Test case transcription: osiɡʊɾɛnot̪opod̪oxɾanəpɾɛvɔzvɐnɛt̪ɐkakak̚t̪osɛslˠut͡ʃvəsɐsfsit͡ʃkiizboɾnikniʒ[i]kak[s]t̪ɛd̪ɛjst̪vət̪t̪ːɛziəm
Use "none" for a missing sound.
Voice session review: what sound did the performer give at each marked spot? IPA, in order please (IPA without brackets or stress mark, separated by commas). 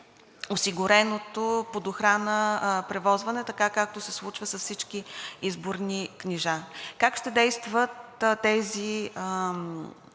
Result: a, ʃ